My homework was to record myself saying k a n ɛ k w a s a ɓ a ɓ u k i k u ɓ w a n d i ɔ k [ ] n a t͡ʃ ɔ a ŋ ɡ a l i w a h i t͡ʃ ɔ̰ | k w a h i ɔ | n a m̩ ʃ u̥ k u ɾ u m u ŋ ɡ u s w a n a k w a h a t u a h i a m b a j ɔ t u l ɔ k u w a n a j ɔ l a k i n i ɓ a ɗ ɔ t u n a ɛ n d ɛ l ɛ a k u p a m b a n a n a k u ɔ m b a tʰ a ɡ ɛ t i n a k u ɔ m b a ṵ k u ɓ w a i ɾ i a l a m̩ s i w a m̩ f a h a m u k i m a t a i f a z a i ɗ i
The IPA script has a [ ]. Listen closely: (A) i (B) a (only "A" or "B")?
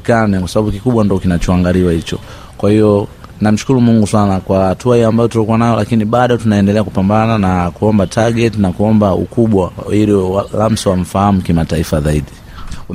A